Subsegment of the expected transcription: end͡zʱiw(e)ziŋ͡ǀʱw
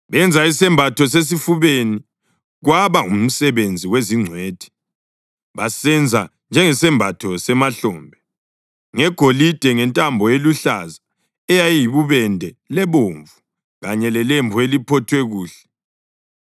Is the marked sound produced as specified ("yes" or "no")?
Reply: yes